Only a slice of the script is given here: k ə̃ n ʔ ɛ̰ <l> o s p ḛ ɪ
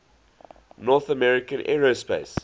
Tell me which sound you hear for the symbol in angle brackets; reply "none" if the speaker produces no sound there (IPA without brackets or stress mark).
ɹ